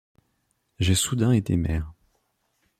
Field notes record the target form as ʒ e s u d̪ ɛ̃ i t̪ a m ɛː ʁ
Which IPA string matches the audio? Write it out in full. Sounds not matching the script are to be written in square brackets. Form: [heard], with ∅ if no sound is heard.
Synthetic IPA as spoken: ʒ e s u d̪ ɛ̃ [e] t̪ [e] m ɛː ʁ